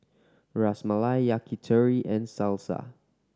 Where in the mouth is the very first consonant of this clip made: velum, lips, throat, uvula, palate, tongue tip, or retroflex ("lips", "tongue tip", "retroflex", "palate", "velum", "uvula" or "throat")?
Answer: tongue tip